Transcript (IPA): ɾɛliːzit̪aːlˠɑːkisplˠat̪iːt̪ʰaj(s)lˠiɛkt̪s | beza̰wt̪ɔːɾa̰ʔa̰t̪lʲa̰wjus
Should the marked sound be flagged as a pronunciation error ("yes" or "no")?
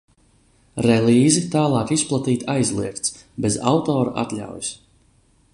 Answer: yes